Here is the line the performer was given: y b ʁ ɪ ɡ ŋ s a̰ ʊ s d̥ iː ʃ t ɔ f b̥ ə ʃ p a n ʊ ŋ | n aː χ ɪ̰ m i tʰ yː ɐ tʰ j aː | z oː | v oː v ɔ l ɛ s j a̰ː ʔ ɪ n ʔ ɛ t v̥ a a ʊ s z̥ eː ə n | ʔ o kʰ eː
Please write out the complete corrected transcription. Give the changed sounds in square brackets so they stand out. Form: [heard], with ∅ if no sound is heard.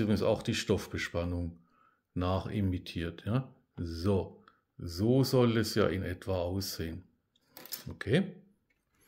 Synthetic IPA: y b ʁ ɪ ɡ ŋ s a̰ ʊ [x] d̥ iː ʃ t ɔ f b̥ ə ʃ p a n ʊ ŋ | n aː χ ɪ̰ m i tʰ [iː] ɐ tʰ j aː | z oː | [z] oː [z] ɔ l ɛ s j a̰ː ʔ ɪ n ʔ ɛ t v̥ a a ʊ s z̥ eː ə n | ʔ o kʰ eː